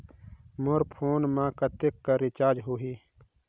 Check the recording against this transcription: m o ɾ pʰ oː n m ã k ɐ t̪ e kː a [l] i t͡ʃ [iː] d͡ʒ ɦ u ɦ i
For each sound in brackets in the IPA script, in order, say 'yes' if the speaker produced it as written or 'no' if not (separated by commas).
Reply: no, no